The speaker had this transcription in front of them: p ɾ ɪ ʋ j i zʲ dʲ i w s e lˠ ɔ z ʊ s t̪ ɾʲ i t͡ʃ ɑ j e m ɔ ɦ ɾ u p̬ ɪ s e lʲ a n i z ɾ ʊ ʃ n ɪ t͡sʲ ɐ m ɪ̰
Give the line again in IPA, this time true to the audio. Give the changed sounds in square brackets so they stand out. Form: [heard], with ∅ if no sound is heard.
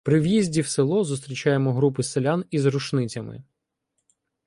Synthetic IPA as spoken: p ɾ ɪ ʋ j i zʲ dʲ i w s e lˠ ɔ z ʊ s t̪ ɾʲ i t͡ʃ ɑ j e m ɔ ɦ ɾ u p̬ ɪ s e lʲ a n i z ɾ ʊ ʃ n ɪ t͡sʲ ɐ m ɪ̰